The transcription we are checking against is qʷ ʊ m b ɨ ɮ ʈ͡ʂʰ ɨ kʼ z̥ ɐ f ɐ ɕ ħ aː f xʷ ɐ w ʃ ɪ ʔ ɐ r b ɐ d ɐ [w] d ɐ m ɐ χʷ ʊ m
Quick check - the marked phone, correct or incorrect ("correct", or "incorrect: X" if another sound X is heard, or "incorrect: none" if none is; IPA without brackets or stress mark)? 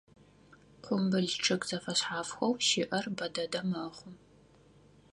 incorrect: none